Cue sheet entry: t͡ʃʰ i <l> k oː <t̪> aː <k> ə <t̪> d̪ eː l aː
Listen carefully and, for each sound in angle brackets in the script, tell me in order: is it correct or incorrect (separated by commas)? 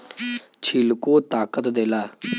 correct, correct, correct, correct